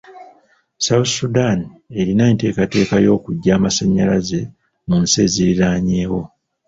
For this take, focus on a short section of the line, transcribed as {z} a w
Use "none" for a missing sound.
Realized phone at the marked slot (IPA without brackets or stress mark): s